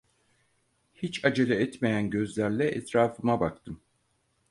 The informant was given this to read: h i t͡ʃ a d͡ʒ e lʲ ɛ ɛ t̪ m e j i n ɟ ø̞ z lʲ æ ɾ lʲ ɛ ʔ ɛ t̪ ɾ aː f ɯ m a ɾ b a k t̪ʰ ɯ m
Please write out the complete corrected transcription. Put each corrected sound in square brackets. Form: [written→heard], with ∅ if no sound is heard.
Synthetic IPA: h i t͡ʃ a d͡ʒ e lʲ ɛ ɛ t̪ m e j [i→æ] n ɟ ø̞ z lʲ æ ɾ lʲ ɛ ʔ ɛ t̪ ɾ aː f ɯ m a [ɾ→∅] b a k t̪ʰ ɯ m

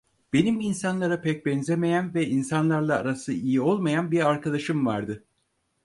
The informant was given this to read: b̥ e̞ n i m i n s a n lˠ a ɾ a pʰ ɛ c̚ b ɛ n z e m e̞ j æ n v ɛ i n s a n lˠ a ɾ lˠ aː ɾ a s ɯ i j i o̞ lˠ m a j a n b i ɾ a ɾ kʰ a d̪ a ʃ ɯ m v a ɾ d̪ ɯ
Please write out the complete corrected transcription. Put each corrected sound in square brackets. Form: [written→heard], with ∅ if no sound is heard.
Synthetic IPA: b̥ e̞ n i m i n s a n lˠ a ɾ a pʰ ɛ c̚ b ɛ n z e m e̞ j æ n v ɛ i n s a n lˠ a ɾ lˠ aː ɾ a s ɯ i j i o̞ lˠ m a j a n b i ɾ a ɾ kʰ a d̪ a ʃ ɯ m v a ɾ d̪ ɯ

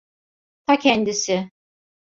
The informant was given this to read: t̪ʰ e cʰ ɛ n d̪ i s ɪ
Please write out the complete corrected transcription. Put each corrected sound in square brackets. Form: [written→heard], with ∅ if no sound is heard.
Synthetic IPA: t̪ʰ [e→a] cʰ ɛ n d̪ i s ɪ

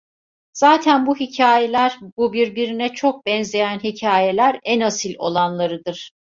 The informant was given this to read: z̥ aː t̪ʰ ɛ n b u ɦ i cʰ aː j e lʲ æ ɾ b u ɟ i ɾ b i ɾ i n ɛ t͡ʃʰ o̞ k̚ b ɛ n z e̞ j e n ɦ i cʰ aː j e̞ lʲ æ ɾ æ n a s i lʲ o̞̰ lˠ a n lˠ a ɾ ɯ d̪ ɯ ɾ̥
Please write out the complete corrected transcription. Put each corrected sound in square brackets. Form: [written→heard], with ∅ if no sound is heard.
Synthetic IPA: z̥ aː t̪ʰ [ɛ→æ] n b u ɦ i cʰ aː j e lʲ æ ɾ b u [ɟ→b] i ɾ b i ɾ i n ɛ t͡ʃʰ o̞ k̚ b ɛ n z e̞ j [e→æ] n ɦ i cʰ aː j e̞ lʲ æ ɾ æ n a s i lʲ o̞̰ lˠ a n lˠ a ɾ ɯ d̪ ɯ ɾ̥

